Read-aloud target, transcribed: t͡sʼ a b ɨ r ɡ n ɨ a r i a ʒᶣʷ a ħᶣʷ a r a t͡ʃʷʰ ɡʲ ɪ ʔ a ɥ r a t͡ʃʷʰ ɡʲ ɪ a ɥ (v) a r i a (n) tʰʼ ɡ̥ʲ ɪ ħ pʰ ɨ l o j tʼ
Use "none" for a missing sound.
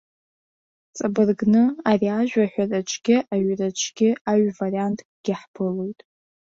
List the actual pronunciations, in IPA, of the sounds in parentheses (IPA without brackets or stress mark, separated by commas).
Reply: v, n